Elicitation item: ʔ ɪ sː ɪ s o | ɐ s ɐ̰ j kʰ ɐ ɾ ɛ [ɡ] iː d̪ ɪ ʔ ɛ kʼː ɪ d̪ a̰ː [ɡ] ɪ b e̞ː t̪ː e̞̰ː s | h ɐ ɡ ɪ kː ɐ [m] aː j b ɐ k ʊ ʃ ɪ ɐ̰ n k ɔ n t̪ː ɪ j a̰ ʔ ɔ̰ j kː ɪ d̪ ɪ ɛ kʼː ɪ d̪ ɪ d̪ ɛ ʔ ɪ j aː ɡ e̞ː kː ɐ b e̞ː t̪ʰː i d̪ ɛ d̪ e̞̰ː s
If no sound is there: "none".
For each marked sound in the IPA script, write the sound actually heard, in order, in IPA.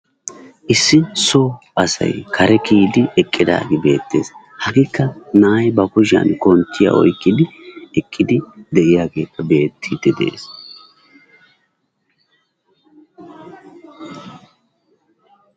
k, ɡ, n

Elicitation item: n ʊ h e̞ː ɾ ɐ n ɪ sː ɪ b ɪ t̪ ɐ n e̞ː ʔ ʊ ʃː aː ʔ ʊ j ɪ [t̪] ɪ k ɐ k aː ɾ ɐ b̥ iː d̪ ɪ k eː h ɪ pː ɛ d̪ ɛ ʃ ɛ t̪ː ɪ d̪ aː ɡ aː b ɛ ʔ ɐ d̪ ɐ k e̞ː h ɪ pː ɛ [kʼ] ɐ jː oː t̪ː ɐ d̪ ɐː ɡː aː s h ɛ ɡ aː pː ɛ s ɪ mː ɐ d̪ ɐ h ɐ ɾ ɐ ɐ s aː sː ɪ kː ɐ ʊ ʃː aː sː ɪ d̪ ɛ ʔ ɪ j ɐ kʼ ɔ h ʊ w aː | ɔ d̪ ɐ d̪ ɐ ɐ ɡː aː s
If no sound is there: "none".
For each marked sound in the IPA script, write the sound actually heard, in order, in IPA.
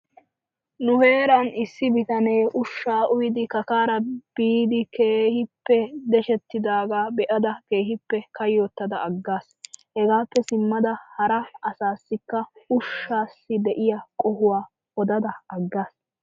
d̪, k

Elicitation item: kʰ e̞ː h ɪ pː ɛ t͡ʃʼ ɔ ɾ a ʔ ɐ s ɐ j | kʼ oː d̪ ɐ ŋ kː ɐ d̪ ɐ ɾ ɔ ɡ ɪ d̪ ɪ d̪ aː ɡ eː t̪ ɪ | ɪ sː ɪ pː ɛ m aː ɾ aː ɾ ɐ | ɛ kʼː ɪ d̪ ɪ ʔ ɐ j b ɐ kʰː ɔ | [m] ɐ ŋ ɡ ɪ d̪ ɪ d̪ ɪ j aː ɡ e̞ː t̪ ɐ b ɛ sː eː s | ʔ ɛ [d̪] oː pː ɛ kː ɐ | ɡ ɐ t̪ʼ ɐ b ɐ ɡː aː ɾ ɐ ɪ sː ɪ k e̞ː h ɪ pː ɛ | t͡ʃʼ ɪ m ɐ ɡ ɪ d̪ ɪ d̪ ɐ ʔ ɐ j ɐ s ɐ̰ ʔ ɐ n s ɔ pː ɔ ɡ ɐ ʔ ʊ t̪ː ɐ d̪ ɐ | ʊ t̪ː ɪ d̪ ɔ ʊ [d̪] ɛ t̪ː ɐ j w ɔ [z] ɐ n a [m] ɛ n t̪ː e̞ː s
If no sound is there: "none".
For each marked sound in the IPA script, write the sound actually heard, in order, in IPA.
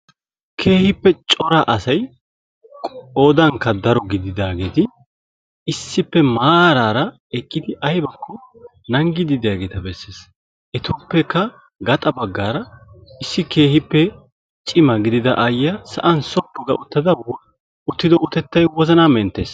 n, t̪, t̪, z, m

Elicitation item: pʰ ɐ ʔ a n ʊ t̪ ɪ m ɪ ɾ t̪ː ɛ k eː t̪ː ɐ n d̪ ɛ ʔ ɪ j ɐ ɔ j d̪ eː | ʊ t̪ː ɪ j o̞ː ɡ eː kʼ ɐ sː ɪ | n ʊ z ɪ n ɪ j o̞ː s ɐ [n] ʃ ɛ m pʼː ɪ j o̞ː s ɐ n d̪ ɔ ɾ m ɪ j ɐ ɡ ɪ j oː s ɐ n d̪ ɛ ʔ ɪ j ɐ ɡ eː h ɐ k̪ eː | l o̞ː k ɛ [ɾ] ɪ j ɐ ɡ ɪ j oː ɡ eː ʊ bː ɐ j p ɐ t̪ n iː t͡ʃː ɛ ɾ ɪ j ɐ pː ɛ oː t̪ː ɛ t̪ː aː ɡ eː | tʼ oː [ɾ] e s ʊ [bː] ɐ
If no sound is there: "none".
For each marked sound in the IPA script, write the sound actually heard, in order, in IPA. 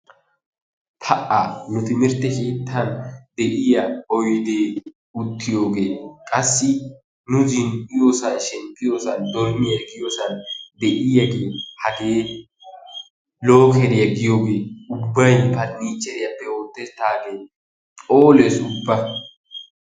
n, ɾ, l, bː

